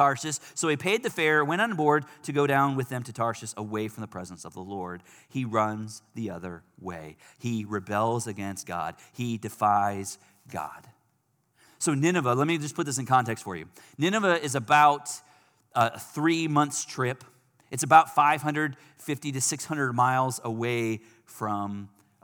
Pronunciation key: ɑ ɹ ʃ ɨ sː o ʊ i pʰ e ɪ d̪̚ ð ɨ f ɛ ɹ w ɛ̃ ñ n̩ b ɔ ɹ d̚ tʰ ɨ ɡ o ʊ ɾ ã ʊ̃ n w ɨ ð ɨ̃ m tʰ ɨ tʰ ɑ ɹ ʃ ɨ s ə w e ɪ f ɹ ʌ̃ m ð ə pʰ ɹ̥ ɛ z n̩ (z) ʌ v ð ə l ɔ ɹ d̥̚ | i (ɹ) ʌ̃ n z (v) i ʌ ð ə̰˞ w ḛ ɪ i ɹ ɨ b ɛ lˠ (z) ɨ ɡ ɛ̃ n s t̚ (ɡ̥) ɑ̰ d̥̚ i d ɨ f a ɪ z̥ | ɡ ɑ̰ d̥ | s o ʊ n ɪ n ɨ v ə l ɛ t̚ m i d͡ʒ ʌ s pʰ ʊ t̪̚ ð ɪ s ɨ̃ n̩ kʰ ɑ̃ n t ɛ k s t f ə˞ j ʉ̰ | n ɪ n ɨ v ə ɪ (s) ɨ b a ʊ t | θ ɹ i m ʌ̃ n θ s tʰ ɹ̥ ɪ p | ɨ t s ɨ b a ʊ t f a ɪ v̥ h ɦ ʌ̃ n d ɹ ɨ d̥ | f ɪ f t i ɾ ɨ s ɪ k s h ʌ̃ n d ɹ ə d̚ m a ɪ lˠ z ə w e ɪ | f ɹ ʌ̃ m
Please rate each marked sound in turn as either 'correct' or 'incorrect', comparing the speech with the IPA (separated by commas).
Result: incorrect, correct, incorrect, correct, correct, incorrect